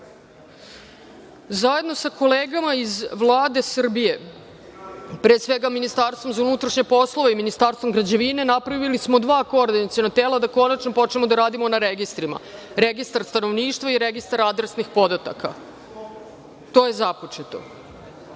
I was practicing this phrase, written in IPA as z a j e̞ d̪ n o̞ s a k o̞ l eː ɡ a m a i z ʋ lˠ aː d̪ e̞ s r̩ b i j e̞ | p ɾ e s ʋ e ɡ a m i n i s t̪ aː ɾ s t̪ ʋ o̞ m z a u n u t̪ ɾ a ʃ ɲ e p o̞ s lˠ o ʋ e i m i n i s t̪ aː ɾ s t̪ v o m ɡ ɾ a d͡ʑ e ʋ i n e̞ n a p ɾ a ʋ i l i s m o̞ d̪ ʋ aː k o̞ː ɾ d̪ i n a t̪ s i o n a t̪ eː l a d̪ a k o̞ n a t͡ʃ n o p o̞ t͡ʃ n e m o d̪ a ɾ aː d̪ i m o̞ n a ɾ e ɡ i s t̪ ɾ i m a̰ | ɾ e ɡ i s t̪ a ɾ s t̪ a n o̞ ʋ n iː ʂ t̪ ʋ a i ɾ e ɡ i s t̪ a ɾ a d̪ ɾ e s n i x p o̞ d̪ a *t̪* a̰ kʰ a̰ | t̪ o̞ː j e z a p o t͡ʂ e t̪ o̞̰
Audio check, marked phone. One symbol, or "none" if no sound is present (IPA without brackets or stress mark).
t̪